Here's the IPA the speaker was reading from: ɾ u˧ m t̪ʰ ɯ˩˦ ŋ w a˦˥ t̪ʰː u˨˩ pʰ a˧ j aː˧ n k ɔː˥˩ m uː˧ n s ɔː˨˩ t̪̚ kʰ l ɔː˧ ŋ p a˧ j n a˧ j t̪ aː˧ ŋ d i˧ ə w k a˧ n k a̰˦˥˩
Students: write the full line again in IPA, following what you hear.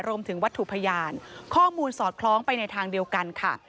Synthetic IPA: ɾ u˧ m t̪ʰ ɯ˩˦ ŋ w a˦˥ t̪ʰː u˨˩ pʰ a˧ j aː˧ n kʰ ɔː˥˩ m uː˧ n s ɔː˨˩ t̪̚ kʰ l ɔː˦˥ ŋ p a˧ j n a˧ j t̪ʰ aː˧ ŋ d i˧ ə w k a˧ n kʰ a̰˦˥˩